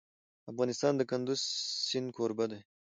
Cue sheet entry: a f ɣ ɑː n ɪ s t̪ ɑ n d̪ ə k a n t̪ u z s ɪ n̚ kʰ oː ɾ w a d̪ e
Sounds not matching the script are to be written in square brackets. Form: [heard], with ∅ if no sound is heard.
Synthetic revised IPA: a f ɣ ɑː n ɪ s t̪ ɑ n d̪ ə k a n [d̪] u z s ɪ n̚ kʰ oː ɾ [b] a d̪ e